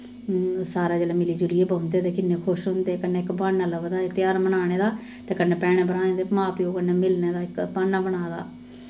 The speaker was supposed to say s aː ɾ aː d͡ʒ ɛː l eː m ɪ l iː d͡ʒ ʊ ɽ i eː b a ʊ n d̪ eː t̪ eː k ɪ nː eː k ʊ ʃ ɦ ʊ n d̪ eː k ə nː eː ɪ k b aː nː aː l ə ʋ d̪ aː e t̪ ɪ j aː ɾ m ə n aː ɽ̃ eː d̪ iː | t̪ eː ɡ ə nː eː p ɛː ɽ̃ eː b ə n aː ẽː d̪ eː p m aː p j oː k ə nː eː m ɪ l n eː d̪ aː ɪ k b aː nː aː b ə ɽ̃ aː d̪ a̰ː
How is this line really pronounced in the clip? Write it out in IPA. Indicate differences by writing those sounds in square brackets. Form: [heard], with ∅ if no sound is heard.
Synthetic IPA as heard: s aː ɾ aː d͡ʒ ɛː l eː m ɪ l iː d͡ʒ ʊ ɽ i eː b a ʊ n d̪ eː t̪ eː k ɪ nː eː [kʰ] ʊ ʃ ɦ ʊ n d̪ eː k ə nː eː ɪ k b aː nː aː l ə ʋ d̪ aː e t̪ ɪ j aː ɾ m ə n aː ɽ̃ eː d̪ [aː] | t̪ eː [k] ə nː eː p ɛː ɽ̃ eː b ə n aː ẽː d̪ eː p m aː p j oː k ə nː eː m ɪ l n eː d̪ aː ɪ k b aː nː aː b ə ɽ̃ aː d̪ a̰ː